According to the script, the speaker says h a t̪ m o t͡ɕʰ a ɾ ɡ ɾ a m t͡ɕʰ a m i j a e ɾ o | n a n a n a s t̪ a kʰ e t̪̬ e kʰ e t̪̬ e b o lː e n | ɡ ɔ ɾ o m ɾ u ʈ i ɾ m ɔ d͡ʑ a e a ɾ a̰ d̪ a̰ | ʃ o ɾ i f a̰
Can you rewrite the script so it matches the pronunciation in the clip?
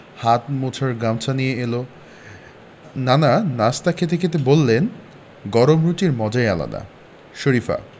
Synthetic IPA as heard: h a t̪ m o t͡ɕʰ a ɾ ɡ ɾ a m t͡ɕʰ a n i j e e l o | n a n a n a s t̪ a kʰ e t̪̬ e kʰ e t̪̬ e b o lː e n | ɡ ɔ ɾ o m ɾ u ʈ i ɾ m ɔ d͡ʑ a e a l a̰ d̪ a̰ | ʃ o ɾ i f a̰